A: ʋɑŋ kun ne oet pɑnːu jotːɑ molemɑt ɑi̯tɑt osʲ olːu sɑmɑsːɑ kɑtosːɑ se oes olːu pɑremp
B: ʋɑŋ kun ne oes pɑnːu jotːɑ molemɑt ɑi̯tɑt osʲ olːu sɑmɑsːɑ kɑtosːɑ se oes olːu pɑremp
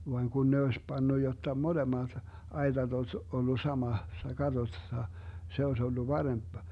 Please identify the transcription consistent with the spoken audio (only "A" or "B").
B